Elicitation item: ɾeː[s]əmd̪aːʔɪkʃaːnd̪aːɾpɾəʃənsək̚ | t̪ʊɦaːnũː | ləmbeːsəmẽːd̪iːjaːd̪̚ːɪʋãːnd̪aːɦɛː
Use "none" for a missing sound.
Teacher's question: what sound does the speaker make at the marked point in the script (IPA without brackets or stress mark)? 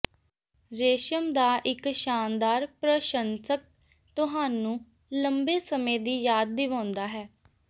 ʃ